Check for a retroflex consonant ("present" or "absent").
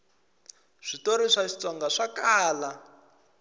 present